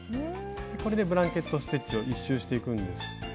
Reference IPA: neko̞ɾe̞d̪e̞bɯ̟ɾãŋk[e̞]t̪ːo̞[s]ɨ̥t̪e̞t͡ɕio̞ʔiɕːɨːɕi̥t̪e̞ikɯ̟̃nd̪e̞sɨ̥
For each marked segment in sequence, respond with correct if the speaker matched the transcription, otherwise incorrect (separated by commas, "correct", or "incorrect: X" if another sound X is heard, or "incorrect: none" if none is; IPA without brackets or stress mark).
correct, correct